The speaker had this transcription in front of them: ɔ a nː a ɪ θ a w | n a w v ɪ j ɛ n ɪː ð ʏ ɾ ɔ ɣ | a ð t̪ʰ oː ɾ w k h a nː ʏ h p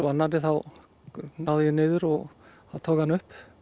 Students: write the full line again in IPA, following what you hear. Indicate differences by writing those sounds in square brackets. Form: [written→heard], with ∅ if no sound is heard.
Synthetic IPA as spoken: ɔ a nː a ɪ θ a w | n a w [v→ð] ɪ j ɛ n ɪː ð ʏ ɾ ɔ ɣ | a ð t̪ʰ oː [ɾ→∅] w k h a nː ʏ h p